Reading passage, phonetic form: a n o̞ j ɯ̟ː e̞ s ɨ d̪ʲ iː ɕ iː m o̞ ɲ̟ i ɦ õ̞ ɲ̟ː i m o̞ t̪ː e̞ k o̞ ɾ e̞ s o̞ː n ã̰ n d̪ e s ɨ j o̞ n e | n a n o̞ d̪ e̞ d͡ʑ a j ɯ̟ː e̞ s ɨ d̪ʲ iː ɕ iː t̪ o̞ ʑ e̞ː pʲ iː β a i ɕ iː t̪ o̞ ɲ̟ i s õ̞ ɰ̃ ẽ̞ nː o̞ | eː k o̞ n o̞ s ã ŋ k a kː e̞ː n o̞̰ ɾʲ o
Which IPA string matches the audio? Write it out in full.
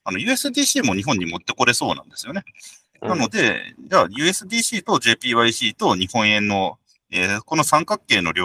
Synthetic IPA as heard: a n o̞ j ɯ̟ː e̞ s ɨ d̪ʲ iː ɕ iː m o̞ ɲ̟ i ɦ õ̞ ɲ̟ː i m o̞ t̪ː e̞ k o̞ ɾ e̞ s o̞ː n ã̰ n d̪ e s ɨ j o̞ n e | n a n o̞ d̪ e̞ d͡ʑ a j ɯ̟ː e̞ s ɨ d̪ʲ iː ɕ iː t̪ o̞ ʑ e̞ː pʲ iː β a i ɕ iː t̪ o̞ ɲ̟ i h õ̞ ɰ̃ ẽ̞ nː o̞ | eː k o̞ n o̞ s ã ŋ k a kː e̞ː n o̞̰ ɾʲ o